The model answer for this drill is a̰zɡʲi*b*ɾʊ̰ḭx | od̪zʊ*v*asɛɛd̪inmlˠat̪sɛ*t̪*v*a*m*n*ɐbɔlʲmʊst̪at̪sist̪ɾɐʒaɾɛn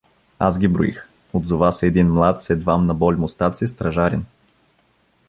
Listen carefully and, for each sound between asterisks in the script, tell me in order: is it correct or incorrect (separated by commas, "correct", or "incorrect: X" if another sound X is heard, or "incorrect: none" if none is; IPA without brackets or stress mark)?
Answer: correct, correct, incorrect: d̪, correct, correct